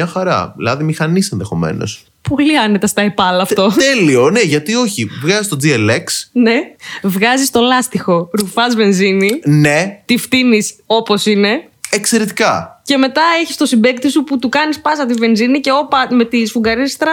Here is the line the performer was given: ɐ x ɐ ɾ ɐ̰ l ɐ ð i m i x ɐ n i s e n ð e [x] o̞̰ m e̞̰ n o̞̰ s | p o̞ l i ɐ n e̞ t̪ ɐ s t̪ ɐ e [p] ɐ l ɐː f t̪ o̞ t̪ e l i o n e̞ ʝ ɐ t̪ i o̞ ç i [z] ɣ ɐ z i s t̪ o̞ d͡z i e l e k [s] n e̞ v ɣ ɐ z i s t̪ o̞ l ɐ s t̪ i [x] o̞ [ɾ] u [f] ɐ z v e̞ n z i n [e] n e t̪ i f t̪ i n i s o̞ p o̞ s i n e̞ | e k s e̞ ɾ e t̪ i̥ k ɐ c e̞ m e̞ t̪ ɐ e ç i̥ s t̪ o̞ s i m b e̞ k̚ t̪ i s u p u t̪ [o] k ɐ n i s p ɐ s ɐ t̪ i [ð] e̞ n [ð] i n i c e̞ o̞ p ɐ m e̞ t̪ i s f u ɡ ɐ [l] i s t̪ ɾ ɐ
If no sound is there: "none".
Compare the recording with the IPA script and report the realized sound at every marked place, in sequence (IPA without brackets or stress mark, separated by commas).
x, p, v, s, x, ɾ, f, i, u, v, z, ɾ